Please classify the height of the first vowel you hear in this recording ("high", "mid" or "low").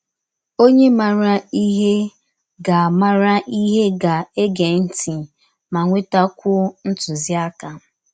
mid